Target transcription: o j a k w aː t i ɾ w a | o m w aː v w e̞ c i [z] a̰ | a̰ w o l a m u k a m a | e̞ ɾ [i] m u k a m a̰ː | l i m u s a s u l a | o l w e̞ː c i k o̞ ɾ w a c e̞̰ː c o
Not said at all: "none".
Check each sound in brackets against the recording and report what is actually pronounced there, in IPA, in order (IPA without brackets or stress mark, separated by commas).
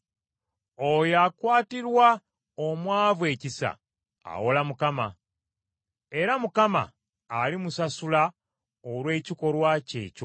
s, a